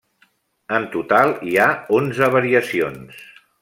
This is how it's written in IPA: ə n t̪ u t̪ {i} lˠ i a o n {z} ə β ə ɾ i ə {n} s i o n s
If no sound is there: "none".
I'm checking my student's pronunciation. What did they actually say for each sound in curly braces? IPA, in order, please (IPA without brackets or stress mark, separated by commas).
a, z, none